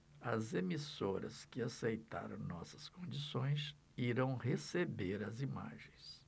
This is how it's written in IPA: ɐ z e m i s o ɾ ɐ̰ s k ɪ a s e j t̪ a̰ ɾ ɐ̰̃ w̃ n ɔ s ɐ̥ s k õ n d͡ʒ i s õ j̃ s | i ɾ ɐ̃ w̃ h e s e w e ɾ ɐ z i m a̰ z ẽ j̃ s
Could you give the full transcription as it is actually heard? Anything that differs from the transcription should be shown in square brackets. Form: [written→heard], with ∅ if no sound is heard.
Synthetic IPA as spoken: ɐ z e m i s o ɾ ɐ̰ s k ɪ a s e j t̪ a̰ ɾ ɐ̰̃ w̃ n ɔ s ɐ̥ s k õ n d͡ʒ i s õ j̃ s | i ɾ ɐ̃ w̃ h e s e [w→b] e ɾ ɐ z i m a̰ [z→ʒ] ẽ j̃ s